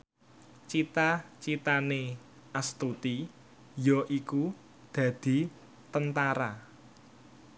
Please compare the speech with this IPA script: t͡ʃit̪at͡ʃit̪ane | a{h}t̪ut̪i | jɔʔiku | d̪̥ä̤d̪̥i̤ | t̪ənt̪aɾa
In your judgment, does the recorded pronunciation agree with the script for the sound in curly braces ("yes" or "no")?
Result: no